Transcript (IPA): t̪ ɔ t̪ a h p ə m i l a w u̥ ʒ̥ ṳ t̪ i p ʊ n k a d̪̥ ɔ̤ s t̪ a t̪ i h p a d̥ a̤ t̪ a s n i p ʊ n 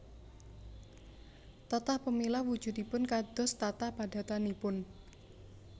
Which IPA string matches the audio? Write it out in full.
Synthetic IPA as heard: t̪ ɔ t̪ a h p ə m i l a w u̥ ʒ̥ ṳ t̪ i p ʊ n k a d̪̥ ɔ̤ s t̪ a t̪ a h p a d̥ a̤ t̪ a n i p ʊ n